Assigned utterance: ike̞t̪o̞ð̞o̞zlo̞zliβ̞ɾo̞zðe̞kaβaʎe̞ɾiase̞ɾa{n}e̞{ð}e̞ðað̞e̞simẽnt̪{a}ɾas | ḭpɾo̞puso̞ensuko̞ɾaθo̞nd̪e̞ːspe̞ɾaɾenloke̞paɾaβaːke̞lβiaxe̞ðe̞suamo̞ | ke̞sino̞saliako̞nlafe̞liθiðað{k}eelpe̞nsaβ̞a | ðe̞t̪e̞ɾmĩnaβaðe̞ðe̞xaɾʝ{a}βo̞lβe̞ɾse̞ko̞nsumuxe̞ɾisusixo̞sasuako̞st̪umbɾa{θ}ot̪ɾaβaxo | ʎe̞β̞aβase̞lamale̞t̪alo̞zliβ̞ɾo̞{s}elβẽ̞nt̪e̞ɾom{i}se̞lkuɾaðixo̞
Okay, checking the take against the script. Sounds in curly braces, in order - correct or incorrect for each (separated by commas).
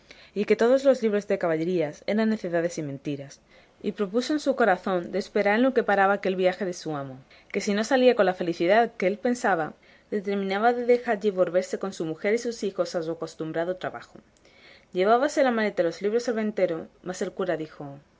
incorrect, incorrect, incorrect, correct, incorrect, incorrect, correct, incorrect